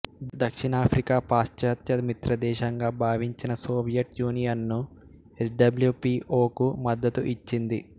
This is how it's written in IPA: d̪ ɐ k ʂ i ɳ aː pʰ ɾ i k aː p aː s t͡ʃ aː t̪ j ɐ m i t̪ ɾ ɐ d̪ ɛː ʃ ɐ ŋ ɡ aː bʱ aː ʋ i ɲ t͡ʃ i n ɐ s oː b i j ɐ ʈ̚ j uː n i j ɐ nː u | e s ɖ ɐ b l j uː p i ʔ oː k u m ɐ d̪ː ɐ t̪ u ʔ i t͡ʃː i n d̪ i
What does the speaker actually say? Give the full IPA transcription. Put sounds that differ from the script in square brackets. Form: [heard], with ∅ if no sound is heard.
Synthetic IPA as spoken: d̪ ɐ k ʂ i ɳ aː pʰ ɾ i k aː p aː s t͡ʃ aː t̪ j ɐ m i t̪ ɾ ɐ d̪ ɛː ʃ ɐ ŋ ɡ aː bʱ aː ʋ i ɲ t͡ʃ i n ɐ s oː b i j ɐ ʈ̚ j uː n i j ɐ nː u | e s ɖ ɐ b l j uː p i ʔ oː k u m ɐ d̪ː ɐ t̪ u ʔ i t͡ʃː i n d̪ i